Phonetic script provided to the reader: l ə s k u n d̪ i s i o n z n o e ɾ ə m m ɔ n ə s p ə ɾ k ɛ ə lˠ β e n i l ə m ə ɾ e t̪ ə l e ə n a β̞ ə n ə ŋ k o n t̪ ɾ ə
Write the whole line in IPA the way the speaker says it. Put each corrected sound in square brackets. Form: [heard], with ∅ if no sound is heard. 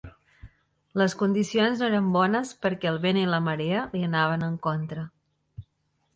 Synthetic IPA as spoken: l ə s k u n d̪ i s i o n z n o e ɾ ə m [b] ɔ n ə s p ə ɾ k ɛ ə lˠ β e n i l ə m ə ɾ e [∅] ə l [i] ə n a β̞ ə n ə ŋ k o n t̪ ɾ ə